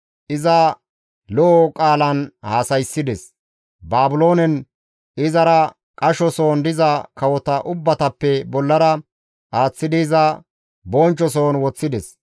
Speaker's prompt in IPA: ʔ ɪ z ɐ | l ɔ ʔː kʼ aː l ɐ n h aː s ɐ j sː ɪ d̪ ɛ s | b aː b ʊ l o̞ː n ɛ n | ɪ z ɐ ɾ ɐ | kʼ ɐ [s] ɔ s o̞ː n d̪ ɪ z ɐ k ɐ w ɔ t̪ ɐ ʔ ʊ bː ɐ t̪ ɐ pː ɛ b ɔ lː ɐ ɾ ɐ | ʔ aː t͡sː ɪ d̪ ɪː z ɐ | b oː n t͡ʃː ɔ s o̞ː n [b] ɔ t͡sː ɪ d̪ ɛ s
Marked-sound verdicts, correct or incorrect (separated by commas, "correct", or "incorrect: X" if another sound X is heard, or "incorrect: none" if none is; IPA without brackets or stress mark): incorrect: ʃ, incorrect: w